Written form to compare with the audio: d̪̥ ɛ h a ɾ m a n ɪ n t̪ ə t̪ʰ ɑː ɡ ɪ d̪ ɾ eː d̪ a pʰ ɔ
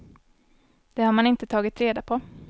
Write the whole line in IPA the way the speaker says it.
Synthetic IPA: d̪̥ ɛ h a ɾ m a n ɪ n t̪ ə t̪ʰ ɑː ɡ ɪ t̪ ɾ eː d̪ a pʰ ɔ